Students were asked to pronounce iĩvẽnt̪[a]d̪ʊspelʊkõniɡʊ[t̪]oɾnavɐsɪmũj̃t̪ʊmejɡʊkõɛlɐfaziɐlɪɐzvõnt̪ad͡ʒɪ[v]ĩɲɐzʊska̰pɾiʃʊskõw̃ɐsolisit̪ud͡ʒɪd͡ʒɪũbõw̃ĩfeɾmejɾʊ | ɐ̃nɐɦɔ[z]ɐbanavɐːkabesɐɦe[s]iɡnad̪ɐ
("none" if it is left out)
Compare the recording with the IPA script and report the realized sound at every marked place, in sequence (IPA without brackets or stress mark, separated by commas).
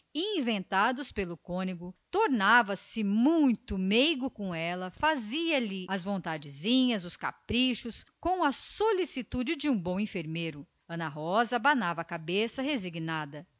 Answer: a, t̪, z, z, z